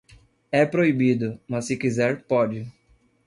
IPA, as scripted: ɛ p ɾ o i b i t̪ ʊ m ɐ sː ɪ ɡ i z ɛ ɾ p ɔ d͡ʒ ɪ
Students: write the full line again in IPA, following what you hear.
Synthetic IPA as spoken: ɛ p ɾ o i b i d̪ ʊ m ɐ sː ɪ k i z ɛ ɾ p ɔ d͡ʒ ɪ